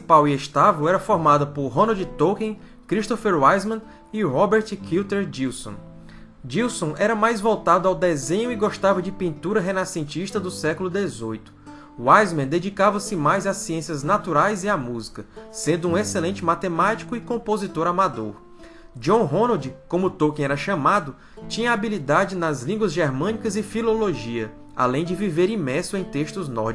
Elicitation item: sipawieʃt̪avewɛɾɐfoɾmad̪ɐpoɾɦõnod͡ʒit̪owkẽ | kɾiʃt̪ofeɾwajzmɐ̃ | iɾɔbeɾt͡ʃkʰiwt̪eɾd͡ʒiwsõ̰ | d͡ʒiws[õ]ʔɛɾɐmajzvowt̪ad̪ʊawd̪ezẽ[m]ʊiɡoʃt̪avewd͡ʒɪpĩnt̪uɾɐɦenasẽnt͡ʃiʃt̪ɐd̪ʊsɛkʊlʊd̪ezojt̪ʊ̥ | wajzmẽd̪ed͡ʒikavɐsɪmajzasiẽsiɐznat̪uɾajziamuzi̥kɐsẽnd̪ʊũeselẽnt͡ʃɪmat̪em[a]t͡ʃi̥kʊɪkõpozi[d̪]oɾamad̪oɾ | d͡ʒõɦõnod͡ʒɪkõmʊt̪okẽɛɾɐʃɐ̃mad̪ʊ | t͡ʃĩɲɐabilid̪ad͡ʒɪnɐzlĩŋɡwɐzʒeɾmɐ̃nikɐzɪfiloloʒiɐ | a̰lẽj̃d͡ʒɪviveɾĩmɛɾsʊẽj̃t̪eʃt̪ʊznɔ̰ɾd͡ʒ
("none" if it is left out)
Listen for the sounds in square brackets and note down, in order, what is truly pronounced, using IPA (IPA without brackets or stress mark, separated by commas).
õ, ɲ, a, t̪